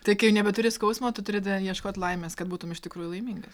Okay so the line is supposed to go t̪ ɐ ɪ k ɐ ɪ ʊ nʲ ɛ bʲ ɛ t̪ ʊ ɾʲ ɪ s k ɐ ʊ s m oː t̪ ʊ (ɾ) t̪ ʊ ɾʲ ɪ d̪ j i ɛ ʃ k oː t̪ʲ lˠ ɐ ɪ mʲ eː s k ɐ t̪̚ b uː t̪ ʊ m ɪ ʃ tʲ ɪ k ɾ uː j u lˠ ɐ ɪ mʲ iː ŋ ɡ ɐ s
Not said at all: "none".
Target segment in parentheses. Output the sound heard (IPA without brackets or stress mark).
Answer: none